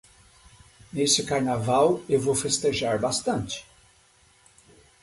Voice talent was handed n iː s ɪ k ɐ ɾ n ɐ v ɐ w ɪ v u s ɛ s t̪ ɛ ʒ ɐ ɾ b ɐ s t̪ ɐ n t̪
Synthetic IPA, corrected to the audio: n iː s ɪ k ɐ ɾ n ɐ v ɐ w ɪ v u f ɛ s t̪ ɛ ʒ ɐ ɾ b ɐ s t̪ ɐ n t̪

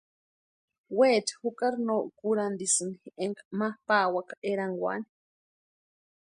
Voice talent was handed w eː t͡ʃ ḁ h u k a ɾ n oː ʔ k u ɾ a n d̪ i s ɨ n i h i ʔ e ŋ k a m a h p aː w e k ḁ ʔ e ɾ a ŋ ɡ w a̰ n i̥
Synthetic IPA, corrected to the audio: w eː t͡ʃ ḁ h u k a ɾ n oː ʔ k u ɾ a n d̪ i s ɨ n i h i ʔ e ŋ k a m a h p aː w a k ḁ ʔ e ɾ a ŋ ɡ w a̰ n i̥

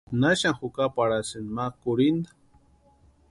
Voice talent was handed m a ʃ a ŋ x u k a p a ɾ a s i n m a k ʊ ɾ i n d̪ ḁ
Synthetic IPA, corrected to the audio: n a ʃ a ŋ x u k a p a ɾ a s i n m a k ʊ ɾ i n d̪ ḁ

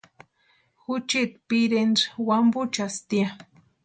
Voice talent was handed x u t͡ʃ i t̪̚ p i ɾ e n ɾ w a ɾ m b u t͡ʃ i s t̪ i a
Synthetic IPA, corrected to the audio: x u t͡ʃ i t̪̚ p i ɾ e n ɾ w a m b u t͡ʃ a s t̪ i a

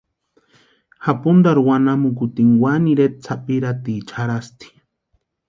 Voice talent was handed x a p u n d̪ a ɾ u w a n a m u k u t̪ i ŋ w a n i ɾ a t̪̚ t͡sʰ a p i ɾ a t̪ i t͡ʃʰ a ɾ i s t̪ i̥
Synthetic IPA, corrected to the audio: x a p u n d̪ a ɾ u w a n a m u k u t̪ i ŋ w a n i ɾ e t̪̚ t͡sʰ a p i ɾ a t̪ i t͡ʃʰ a ɾ a s t̪ i̥

